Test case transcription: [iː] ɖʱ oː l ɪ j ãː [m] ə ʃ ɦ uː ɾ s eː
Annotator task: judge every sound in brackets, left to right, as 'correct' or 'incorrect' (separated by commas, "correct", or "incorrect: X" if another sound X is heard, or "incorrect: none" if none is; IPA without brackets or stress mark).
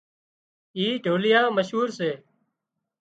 correct, correct